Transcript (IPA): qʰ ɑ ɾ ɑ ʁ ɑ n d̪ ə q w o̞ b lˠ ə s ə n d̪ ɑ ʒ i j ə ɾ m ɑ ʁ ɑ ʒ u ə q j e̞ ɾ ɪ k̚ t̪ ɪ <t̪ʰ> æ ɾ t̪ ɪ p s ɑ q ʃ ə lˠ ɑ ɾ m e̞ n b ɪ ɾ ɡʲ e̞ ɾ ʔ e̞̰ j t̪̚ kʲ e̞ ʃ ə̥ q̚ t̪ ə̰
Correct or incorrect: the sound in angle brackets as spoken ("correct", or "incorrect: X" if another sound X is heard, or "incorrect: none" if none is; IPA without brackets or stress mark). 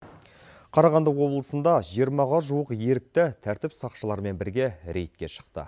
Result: correct